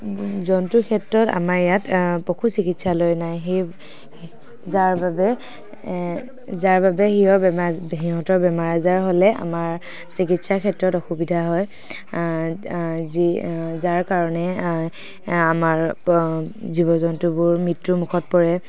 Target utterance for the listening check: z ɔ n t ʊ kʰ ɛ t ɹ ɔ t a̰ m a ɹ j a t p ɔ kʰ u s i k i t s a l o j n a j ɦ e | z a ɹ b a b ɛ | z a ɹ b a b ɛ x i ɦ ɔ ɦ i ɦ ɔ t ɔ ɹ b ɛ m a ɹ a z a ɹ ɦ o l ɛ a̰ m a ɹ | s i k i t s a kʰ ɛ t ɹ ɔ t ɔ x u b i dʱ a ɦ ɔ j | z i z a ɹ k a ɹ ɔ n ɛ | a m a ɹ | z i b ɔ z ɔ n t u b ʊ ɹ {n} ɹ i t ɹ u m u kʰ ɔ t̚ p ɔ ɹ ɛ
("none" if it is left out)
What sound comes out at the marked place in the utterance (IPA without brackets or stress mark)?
m